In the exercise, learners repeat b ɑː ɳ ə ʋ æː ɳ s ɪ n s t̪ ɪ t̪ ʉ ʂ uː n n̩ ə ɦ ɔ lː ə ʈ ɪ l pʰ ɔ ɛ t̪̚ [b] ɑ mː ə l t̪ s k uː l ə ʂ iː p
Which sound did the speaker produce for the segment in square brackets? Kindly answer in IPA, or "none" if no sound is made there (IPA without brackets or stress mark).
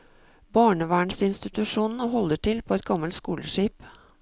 ɡ